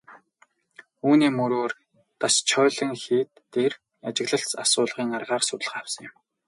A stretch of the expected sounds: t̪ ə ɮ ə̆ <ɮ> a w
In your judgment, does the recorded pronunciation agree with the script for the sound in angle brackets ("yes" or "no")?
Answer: no